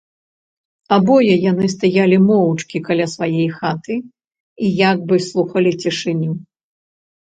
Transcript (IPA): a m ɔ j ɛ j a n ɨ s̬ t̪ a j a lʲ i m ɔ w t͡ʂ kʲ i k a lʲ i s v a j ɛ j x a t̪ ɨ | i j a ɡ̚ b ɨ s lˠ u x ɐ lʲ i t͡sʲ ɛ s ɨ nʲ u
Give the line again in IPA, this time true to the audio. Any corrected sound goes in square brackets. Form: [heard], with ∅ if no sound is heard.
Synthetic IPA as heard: a [b] ɔ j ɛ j a n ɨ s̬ t̪ a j a lʲ i m ɔ w t͡ʂ kʲ i k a lʲ [a] s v a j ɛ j x a t̪ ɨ | i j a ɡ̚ b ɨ s lˠ u x ɐ lʲ i t͡sʲ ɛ [ʂ] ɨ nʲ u